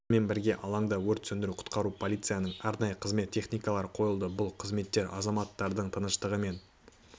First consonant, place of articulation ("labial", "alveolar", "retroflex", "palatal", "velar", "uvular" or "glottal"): labial